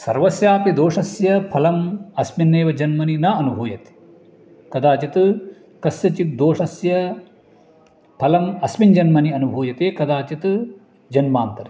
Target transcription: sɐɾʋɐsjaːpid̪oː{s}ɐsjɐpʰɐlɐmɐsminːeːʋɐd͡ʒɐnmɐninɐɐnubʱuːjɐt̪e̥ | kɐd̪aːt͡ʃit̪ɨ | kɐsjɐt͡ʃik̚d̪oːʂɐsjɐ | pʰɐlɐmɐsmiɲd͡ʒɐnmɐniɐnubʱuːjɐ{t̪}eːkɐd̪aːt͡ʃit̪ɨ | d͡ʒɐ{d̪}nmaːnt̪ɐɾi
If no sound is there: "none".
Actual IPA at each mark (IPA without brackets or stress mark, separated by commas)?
ʂ, t̪, none